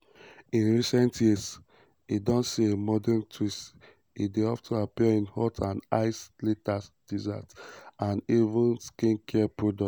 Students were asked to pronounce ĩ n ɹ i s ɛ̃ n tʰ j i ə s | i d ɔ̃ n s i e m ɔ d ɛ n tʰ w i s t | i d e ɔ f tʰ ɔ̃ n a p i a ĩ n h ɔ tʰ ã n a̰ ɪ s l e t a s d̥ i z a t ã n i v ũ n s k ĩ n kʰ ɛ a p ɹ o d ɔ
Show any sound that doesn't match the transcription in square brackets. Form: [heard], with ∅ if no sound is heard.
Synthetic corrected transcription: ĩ n ɹ i s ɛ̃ n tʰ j i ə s | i d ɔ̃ n s i e m ɔ d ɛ n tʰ w i s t | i d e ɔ f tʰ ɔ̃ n a p i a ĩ n h ɔ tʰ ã n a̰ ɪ s l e t a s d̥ i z a t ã n i v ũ n s k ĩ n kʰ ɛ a p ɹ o d ɔ